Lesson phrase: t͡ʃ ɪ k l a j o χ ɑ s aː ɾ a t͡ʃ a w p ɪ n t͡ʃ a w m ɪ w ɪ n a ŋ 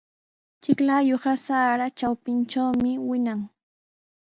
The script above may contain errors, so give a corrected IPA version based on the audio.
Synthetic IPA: t͡ʃ ɪ k l a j o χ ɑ s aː ɾ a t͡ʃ a w p ɪ n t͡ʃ a w m ɪ w ɪ n a ŋ